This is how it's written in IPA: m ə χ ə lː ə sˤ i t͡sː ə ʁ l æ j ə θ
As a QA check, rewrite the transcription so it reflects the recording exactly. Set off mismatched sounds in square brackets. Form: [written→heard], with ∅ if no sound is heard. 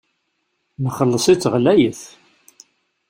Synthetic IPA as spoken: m ə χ ə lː ə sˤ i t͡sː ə ʁ l æ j ə θ